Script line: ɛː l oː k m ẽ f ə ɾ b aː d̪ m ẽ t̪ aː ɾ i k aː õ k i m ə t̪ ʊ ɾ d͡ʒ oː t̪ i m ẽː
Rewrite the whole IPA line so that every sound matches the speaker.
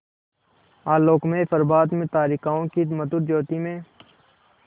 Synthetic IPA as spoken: aː l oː k m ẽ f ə ɾ b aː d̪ m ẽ t̪ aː ɾ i k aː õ k i m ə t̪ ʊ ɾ d͡ʒ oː t̪ i m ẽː